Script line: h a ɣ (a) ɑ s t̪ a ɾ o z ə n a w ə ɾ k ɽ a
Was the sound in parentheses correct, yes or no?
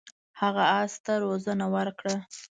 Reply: yes